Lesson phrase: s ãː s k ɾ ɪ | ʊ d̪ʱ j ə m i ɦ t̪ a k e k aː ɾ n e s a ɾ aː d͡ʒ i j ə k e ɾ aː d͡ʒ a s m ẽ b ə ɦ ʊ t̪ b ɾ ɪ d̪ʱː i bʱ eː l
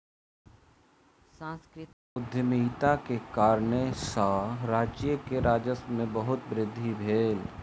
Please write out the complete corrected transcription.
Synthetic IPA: s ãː s k ɾ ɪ | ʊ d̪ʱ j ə m i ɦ t̪ a k e k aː ɾ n e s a ɾ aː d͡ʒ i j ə k e ɾ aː d͡ʒ ə s m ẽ b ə ɦ ʊ t̪ b ɾ ɪ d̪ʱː i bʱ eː l